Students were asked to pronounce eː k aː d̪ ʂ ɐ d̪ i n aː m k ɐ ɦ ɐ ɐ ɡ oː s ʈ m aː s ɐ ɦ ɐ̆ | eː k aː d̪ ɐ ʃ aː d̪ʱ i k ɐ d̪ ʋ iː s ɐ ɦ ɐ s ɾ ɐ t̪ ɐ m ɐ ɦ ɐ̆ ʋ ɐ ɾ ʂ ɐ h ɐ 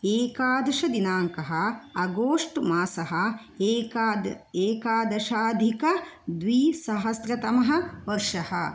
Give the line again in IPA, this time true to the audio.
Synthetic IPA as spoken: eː k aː d̪ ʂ ɐ d̪ i n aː ŋ k ɐ ɦ ɐ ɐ ɡ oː ʂ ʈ m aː s ɐ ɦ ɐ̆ | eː k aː d̪ ɐ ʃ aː d̪ʱ i k ɐ d̪ ʋ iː s ɐ ɦ ɐ s ɾ ɐ t̪ ɐ m ɐ ɦ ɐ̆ ʋ ɐ ɾ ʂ ɐ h ɐ